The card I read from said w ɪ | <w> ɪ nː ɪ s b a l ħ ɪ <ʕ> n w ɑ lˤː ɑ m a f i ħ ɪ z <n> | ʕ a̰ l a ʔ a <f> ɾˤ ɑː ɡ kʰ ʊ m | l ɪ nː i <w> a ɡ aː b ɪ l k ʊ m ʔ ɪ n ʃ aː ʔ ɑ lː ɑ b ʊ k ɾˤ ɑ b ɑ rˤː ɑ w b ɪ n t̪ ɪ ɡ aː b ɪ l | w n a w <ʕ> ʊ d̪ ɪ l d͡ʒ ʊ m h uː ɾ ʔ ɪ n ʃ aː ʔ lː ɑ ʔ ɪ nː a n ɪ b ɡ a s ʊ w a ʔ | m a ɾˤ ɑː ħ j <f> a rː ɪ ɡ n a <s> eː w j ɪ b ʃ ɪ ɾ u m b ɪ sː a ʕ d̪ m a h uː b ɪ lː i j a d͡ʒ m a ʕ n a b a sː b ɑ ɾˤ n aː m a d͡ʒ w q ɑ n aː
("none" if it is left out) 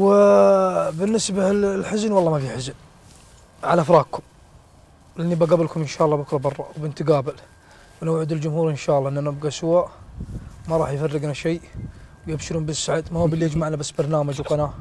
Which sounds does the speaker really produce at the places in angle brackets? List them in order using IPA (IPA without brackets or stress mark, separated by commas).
b, z, n, f, b, ʕ, f, ʃ